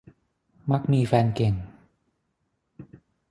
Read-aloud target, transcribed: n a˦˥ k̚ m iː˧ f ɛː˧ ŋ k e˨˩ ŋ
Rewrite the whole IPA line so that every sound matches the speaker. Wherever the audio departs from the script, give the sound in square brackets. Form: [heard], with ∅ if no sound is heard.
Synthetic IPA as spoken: [m] a˦˥ k̚ m iː˧ f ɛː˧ [n] k e˨˩ ŋ